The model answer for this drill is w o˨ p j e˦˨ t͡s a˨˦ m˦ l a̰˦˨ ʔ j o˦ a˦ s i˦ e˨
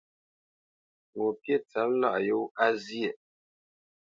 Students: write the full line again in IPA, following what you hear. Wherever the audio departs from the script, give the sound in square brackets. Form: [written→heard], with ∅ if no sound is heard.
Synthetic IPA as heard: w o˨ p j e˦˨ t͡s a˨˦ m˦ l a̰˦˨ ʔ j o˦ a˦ [s→z] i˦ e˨